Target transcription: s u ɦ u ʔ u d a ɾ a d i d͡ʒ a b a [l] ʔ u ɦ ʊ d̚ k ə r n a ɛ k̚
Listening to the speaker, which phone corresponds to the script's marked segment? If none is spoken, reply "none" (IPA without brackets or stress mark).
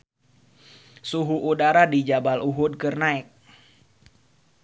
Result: l